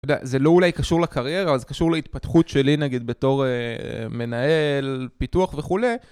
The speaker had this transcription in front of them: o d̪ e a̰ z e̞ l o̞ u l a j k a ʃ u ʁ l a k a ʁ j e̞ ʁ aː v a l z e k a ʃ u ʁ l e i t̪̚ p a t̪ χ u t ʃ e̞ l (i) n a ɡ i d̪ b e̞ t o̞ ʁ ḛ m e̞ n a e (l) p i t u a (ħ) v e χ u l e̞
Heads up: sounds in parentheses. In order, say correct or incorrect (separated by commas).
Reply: correct, correct, incorrect